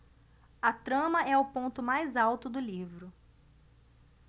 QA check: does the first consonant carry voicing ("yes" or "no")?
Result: no